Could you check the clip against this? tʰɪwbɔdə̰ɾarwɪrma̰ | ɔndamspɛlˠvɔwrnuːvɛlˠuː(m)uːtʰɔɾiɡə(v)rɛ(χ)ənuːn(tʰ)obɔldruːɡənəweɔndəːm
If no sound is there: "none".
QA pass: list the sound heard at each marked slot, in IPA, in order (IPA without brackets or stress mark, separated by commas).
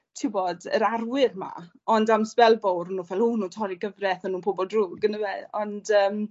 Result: n, v, θ, pʰ